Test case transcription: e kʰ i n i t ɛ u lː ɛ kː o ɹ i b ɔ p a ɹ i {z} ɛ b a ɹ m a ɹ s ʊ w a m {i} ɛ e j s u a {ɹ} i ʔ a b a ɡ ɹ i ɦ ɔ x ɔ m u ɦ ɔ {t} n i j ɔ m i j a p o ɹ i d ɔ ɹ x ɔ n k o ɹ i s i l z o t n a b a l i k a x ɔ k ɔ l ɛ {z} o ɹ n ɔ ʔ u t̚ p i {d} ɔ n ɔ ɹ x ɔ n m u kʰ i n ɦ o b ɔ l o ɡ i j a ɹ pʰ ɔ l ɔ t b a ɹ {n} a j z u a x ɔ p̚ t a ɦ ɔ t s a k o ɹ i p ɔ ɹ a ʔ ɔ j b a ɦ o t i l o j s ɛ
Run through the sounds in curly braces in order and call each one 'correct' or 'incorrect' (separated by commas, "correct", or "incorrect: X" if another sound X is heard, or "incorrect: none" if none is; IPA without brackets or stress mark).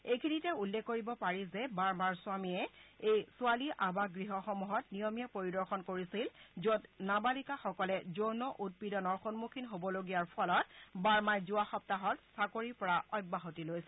correct, correct, incorrect: l, correct, correct, correct, incorrect: m